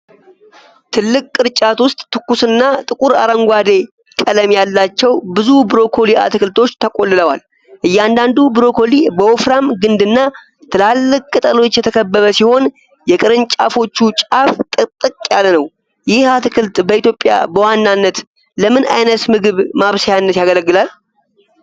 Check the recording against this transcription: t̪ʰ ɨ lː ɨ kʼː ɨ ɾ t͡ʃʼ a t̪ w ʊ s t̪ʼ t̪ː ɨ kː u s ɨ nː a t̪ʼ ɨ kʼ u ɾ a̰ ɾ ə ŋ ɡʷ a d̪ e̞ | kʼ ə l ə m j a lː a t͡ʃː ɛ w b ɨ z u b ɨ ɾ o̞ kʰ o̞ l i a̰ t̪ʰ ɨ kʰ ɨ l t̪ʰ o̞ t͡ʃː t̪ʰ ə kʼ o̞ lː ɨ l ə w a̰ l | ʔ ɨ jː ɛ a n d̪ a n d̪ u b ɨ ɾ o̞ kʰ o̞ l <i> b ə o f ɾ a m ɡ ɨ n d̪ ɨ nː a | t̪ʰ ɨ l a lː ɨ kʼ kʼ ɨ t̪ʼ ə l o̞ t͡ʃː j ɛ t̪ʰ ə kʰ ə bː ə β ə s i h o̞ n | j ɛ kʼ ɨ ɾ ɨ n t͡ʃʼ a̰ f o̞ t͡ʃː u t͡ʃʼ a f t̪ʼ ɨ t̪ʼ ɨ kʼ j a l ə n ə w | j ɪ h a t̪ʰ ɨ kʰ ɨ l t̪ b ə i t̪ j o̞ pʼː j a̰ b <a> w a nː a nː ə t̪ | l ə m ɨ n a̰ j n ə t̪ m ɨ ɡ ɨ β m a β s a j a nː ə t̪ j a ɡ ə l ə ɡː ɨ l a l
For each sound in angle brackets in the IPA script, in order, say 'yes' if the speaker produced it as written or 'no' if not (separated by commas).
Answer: yes, no